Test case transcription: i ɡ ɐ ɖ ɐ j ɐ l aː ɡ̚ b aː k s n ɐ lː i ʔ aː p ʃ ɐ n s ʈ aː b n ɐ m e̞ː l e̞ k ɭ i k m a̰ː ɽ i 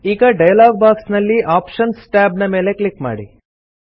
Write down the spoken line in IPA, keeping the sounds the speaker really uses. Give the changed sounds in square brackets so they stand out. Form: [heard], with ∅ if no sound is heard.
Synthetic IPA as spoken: [iː] ɡ ɐ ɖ ɐ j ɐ l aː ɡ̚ b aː k s n ɐ lː i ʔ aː p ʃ ɐ n s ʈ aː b n ɐ m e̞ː l e̞ k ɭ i k m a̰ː ɽ i